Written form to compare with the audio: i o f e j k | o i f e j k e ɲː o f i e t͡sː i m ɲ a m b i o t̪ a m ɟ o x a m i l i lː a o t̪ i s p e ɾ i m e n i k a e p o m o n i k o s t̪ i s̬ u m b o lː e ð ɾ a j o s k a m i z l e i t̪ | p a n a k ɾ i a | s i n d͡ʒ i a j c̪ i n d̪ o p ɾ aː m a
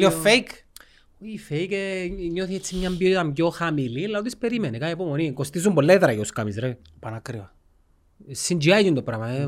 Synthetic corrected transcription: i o f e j k | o i f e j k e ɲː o θ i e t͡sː i m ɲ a m b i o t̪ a m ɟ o x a m i l i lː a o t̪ i s p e ɾ i m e n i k a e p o m o n i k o s t̪ i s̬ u m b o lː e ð ɾ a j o s k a m i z ɾ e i | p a n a k ɾ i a | s i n d͡ʒ i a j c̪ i n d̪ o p ɾ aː m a